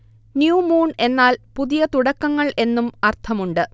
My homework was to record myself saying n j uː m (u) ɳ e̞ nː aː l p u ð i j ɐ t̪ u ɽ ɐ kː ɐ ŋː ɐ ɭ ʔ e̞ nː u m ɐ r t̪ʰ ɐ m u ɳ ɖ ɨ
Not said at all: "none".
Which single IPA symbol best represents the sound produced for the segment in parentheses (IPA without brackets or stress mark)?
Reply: uː